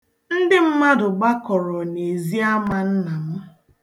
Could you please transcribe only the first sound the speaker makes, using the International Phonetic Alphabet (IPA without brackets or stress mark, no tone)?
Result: n̩